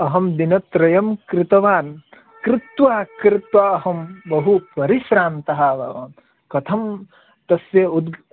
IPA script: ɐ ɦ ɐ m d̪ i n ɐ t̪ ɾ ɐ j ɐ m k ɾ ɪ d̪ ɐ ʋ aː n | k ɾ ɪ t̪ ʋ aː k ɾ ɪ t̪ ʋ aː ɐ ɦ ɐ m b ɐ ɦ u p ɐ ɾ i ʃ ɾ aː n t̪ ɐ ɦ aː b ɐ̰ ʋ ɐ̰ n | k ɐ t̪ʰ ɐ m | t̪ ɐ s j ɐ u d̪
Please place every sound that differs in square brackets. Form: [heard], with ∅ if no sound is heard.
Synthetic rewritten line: ɐ ɦ ɐ m d̪ i n ɐ t̪ ɾ ɐ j ɐ m k ɾ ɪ [t̪] ɐ ʋ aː n | k ɾ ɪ t̪ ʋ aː k ɾ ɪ t̪ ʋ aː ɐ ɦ ɐ m b ɐ ɦ u p ɐ ɾ i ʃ ɾ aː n t̪ ɐ ɦ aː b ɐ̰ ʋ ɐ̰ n | k ɐ t̪ʰ ɐ m | t̪ ɐ s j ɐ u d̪